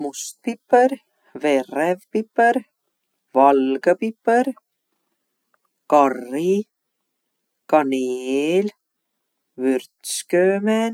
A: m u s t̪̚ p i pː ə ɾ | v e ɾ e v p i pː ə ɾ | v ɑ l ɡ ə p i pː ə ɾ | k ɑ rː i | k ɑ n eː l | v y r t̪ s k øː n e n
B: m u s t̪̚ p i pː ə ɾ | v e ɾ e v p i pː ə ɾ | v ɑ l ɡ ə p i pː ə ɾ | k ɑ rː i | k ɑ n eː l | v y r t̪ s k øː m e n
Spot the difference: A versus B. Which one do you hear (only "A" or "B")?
B